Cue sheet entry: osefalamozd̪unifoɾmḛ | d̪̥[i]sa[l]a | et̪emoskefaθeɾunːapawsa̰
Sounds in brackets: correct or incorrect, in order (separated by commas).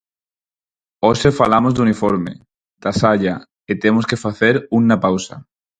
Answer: incorrect, incorrect